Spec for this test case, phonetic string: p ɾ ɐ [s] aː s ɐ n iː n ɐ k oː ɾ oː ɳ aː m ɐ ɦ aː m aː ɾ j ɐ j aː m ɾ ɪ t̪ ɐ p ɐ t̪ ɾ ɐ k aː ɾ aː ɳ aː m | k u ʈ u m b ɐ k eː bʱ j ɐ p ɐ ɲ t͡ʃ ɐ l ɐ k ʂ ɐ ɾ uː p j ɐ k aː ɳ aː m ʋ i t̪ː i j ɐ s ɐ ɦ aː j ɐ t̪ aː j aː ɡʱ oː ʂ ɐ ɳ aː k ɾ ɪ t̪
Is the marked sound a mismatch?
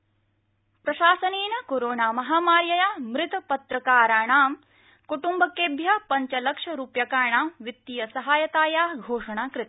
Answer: yes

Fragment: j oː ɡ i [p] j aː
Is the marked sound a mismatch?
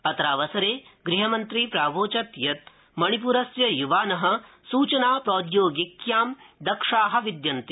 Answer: yes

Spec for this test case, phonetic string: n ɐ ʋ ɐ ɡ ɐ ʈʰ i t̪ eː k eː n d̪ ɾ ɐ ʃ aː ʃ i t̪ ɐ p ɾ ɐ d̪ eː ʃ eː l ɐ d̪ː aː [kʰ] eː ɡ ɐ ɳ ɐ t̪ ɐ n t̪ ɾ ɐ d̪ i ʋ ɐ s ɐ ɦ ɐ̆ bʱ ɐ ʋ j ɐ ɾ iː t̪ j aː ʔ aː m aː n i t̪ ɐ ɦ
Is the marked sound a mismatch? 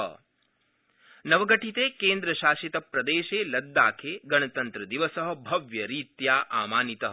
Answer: no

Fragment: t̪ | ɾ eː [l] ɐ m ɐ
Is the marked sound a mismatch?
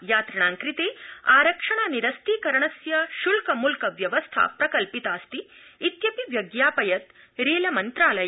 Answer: no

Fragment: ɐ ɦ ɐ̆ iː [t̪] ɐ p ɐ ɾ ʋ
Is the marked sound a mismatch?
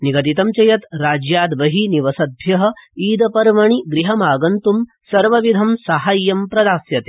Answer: yes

